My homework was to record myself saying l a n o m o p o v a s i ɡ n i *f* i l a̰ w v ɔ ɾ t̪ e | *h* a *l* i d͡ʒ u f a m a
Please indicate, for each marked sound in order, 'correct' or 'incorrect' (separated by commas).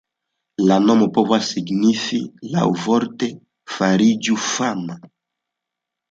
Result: correct, incorrect, incorrect